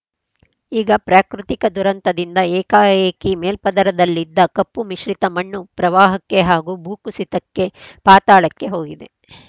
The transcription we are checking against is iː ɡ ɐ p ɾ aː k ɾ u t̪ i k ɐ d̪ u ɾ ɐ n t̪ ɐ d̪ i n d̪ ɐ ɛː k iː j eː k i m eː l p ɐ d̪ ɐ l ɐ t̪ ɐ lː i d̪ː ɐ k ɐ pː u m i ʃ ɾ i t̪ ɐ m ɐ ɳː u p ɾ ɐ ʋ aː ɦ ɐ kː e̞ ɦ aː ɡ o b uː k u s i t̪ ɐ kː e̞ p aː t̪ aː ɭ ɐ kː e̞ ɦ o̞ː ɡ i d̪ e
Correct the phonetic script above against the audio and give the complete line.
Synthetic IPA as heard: iː ɡ ɐ p ɾ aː k ɾ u t̪ i k ɐ d̪ u ɾ ɐ n t̪ ɐ d̪ i n d̪ ɐ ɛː k aː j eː k i m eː l p ɐ d̪ ɐ ɾ ɐ d̪ ɐ lː i d̪ː ɐ k ɐ pː u m i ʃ ɾ i t̪ ɐ m ɐ ɳː u p ɾ ɐ ʋ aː ɦ ɐ kː e̞ ɦ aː ɡ u b uː k u s i t̪ ɐ kː e̞ p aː t̪ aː ɭ ɐ kː e̞ ɦ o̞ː ɡ i d̪ e